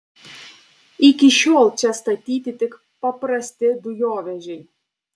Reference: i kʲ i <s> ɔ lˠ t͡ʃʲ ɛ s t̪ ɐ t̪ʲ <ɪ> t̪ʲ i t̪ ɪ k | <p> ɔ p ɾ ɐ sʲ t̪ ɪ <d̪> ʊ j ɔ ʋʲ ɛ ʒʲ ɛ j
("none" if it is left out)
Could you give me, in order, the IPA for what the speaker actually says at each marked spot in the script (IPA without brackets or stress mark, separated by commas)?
ʃ, i, p, d̪